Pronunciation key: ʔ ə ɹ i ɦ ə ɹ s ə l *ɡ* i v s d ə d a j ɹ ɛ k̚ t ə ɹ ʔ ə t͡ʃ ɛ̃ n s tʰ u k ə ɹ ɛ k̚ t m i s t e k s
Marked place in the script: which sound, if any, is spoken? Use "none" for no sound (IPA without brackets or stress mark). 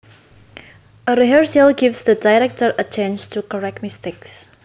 ɡ